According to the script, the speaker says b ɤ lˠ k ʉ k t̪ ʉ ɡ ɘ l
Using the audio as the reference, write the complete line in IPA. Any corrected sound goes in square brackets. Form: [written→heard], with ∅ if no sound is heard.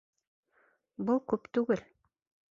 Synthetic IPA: b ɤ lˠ k ʉ [k→p] t̪ ʉ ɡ ɘ l